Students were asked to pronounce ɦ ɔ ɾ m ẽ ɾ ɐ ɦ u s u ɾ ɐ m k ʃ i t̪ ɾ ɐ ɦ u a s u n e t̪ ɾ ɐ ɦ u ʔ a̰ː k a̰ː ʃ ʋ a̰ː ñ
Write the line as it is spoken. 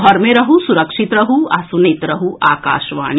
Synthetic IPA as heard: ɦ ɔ ɾ m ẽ ɾ ɐ ɦ u s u ɾ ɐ k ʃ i t̪ ɾ ɐ ɦ u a s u n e t̪ ɾ ɐ ɦ u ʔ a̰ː k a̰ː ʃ ʋ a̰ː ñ

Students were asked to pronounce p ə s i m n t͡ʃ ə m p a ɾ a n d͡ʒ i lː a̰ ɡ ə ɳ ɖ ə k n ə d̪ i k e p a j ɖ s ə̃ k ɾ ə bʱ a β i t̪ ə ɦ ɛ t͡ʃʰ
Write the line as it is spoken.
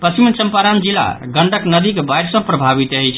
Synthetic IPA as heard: p ə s i m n t͡ʃ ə m p a ɾ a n d͡ʒ i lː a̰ ɡ ə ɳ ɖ ə k n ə d̪ i k e b a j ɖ s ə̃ p ɾ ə bʱ a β i t̪ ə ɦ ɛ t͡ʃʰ

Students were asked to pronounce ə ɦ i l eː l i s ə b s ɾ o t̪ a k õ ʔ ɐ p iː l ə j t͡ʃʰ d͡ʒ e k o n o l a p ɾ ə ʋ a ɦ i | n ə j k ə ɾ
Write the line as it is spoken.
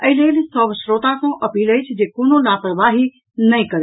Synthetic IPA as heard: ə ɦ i l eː l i s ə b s ɾ o t̪ a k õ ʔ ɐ p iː l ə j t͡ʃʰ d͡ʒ e k o n o l a p ɾ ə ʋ a ɦ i | n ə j k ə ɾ

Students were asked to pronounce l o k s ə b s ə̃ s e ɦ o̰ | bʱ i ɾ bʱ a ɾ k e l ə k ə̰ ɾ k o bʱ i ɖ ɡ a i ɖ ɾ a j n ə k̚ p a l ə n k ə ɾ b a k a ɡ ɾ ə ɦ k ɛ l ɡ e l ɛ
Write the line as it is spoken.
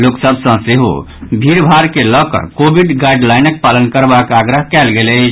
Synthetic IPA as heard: l o k s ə b s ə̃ s e ɦ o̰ | bʱ i ɾ bʱ a ɾ k e l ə k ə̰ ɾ k o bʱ i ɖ ɡ a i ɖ l a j n ə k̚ p a l ə n k ə ɾ b a k a ɡ ɾ ə ɦ k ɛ l ɡ e l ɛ

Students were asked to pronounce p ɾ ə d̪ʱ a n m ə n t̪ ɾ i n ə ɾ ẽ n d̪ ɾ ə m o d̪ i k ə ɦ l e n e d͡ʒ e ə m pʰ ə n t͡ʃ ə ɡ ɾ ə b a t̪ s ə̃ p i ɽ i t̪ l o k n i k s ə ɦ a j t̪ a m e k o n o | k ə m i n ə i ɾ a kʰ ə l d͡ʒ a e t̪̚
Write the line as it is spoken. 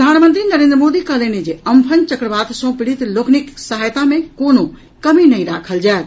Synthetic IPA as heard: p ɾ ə d̪ʱ a n m ə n t̪ ɾ i n ə ɾ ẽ n d̪ ɾ ə m o d̪ i k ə ɦ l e n e d͡ʒ e ə m pʰ ə n t͡ʃ ə k ɾ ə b a t̪ s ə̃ p i ɽ i t̪ l o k n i k s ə ɦ a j t̪ a m e k o n o | k ə m i n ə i ɾ a kʰ ə l d͡ʒ a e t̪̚

